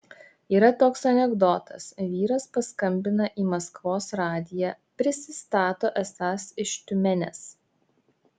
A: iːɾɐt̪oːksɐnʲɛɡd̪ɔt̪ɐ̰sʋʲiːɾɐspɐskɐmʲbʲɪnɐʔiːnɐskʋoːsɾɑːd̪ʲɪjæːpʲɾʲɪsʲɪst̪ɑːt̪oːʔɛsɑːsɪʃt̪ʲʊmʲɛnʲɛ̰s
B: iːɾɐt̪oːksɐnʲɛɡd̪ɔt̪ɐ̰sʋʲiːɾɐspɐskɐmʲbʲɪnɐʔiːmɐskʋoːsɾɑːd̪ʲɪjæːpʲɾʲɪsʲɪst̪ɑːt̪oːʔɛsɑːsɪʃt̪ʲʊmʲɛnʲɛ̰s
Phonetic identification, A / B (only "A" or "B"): B